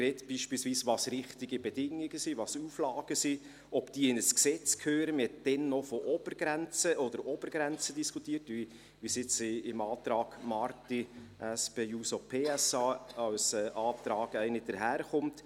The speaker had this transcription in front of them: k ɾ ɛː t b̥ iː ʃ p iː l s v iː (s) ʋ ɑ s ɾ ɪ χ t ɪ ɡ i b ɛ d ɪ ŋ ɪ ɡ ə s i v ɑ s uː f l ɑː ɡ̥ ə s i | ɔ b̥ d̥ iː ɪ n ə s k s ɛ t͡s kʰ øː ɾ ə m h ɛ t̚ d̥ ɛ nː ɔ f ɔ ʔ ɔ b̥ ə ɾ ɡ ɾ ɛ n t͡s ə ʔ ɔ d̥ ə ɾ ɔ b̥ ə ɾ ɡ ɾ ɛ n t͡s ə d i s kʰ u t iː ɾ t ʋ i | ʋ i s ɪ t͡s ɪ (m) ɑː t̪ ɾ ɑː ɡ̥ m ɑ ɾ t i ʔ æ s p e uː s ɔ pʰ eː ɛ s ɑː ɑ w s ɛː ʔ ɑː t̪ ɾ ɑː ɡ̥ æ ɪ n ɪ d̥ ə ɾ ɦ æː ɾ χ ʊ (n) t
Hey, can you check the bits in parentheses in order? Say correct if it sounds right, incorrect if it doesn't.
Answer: correct, correct, incorrect: m

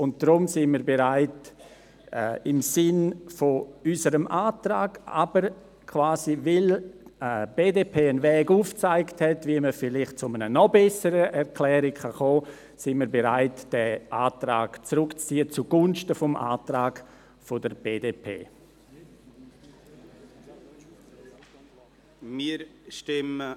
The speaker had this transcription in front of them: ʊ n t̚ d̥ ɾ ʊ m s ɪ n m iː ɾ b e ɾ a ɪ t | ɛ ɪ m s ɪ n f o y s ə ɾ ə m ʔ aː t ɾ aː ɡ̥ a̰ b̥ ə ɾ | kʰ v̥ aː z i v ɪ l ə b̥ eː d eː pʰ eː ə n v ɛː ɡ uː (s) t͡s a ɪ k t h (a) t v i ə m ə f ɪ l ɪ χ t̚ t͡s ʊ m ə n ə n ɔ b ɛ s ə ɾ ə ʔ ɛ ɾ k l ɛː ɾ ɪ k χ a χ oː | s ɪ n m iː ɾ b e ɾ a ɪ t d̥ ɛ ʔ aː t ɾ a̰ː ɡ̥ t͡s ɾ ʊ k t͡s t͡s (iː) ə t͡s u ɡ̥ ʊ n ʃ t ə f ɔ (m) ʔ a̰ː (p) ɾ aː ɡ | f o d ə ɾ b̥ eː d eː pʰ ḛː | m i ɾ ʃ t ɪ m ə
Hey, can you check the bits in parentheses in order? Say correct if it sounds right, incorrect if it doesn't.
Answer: incorrect: f, incorrect: ɛ, correct, correct, incorrect: t

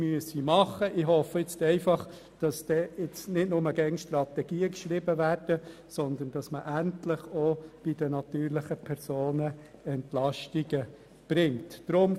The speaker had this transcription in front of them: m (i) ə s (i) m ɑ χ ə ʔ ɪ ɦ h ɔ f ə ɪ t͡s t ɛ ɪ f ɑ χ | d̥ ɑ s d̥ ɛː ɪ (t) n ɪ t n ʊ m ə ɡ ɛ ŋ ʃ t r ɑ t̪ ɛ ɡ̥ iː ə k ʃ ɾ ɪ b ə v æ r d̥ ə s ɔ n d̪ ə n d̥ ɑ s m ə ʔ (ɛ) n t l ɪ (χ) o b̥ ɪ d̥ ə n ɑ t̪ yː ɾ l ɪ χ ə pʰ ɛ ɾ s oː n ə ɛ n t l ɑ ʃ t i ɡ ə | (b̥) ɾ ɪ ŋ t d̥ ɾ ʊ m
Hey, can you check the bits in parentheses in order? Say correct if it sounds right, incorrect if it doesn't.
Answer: incorrect: y, correct, incorrect: t͡s, incorrect: æ, correct, correct

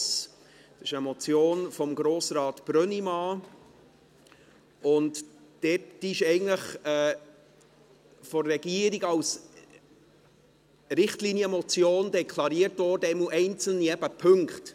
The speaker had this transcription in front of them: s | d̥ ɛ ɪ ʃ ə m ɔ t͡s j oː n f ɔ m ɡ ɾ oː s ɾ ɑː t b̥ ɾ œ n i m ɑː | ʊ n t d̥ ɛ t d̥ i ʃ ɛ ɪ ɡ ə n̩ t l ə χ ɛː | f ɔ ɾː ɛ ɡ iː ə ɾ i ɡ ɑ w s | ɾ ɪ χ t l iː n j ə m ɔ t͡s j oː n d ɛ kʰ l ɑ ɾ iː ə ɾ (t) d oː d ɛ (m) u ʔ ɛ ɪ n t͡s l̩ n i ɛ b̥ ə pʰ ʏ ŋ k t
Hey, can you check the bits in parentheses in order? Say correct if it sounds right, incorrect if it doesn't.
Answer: correct, correct

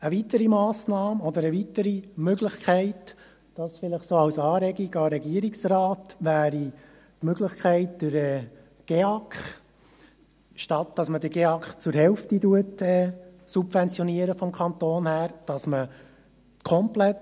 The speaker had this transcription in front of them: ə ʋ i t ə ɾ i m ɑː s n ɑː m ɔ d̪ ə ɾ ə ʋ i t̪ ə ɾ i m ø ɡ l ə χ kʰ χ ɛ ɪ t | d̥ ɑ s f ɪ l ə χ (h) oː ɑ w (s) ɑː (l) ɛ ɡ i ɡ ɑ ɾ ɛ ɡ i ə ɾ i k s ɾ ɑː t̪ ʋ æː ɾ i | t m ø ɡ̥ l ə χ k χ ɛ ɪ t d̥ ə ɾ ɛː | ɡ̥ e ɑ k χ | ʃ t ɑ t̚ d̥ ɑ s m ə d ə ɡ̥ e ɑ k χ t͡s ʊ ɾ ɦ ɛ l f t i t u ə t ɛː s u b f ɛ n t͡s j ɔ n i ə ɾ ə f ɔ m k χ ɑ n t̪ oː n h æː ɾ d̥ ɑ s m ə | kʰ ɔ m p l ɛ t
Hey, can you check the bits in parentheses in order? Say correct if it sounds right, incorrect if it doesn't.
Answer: incorrect: s, correct, incorrect: ɾ

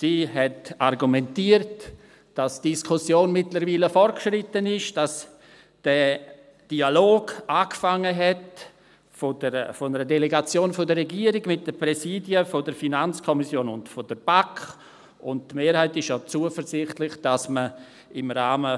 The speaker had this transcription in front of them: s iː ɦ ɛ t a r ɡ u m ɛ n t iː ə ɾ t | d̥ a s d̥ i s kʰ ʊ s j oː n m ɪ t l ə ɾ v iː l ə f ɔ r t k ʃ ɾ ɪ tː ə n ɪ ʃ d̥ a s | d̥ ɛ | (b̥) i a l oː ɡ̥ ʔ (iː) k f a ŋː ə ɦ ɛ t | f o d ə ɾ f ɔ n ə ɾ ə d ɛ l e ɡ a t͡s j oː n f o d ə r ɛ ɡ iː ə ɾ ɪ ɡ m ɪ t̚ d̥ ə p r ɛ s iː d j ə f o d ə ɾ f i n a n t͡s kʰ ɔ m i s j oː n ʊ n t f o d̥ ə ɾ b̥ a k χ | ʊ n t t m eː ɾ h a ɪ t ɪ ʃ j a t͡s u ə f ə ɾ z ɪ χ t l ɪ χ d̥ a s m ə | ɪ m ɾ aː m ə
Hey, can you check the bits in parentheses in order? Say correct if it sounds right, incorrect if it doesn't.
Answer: incorrect: d̥, incorrect: aː

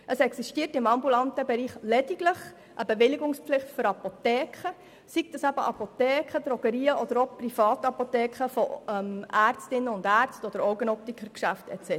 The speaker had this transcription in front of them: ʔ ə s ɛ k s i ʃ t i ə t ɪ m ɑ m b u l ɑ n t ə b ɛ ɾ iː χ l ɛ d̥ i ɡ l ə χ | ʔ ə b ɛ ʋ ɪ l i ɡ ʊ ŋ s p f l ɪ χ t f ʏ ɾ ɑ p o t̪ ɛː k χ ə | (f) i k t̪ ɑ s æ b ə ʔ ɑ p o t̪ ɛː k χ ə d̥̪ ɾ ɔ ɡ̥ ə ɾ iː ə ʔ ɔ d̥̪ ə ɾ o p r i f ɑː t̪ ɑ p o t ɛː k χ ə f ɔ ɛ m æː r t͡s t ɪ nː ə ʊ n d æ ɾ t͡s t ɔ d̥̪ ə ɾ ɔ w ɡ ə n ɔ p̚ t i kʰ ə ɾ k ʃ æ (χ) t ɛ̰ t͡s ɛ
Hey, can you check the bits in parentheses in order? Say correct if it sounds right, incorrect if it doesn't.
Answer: incorrect: s, incorrect: f

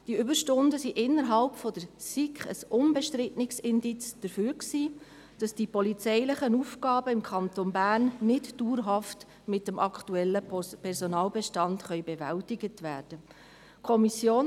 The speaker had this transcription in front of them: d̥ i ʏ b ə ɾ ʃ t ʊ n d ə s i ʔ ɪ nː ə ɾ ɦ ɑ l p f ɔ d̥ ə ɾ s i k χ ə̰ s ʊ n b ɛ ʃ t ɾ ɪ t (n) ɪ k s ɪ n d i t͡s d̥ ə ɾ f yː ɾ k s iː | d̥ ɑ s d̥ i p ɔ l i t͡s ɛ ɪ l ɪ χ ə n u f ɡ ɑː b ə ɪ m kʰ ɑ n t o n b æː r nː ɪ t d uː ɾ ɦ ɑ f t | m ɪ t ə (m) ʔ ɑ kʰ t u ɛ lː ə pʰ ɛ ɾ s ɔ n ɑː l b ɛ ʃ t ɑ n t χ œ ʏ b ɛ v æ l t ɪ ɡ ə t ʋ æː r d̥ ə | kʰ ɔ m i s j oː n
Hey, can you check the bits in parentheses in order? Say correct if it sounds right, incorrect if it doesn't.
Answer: correct, correct

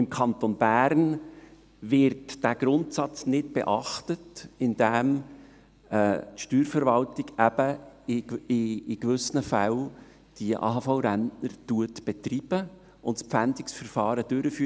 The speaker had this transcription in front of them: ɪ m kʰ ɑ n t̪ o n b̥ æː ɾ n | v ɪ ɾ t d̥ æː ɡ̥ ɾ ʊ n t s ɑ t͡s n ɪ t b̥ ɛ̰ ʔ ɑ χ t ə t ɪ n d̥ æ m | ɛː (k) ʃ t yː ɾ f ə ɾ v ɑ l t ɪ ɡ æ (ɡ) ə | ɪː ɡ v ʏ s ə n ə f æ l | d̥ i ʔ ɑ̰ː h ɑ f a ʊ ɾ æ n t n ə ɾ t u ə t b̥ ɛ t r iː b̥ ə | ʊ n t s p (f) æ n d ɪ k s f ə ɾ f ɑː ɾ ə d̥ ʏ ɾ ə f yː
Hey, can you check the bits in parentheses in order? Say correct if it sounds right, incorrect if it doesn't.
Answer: incorrect: t, incorrect: b, correct

